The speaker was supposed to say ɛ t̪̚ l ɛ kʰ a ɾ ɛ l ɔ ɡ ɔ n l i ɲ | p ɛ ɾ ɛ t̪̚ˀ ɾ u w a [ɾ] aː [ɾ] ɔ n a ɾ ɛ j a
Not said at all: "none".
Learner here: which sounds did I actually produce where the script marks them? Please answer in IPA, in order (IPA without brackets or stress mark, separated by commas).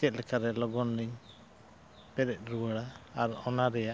ɽ, ɾ